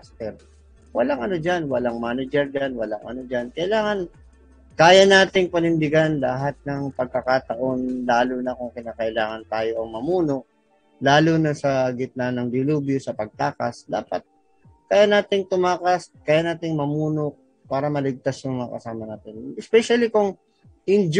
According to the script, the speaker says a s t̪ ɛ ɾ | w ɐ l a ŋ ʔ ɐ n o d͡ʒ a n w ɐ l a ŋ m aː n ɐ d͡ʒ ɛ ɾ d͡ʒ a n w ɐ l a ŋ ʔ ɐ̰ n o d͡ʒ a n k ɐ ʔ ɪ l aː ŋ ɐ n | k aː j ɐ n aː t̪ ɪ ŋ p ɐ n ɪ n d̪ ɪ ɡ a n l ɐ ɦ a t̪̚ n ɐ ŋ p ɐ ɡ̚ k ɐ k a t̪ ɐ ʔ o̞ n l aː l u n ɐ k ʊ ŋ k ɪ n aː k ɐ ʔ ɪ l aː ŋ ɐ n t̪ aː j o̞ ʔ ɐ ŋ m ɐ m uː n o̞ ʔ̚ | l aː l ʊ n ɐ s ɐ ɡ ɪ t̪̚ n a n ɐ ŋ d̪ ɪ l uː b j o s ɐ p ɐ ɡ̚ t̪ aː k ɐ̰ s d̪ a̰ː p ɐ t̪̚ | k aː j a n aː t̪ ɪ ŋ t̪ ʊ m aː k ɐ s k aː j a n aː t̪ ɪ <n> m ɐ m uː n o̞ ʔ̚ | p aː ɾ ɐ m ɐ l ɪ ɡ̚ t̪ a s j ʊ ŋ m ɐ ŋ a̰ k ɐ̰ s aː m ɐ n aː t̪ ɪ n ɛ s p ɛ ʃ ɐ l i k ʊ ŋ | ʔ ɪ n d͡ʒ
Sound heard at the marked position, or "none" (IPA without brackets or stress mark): ŋ